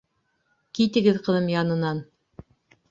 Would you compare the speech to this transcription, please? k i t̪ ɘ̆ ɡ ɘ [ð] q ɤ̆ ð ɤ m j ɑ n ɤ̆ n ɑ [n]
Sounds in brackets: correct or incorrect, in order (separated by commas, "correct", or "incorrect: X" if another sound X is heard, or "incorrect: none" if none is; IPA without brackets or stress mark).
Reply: correct, correct